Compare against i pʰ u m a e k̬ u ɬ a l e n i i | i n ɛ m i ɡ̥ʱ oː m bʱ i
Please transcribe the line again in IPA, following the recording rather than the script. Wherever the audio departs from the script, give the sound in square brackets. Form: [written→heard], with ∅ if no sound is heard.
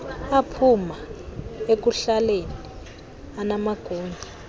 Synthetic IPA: [i→a] pʰ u m a e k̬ u ɬ a l e n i i | [i→a] n [ɛ→a] m [i→a] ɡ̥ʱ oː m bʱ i